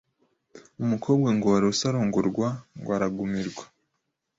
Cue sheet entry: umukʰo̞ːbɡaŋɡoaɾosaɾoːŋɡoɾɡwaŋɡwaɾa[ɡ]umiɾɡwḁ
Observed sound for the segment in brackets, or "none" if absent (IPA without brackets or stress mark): ɡ